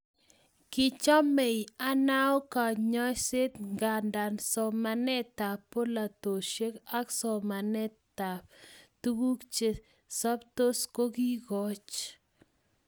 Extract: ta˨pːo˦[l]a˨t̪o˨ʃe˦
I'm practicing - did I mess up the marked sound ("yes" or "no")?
no